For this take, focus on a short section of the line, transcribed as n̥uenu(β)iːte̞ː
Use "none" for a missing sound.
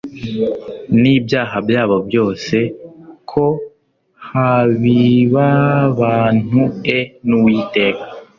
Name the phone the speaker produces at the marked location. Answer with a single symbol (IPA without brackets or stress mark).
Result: w